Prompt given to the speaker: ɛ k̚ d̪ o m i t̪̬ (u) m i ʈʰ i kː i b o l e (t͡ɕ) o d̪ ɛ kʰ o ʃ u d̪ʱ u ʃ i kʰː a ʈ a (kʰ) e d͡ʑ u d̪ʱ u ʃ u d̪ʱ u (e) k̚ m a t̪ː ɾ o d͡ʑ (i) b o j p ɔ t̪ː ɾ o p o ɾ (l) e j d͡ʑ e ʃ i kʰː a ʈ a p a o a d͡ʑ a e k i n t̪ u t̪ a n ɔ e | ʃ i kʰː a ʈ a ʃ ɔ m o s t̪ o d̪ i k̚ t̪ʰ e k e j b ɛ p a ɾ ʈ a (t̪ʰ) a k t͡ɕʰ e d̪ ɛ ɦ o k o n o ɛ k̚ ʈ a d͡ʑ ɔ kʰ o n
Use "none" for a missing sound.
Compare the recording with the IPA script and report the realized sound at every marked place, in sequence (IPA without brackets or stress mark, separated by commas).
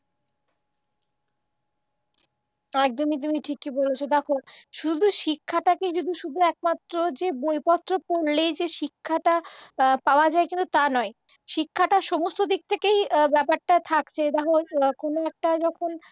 u, t͡ɕʰ, k, ɛ, e, l, t̪ʰ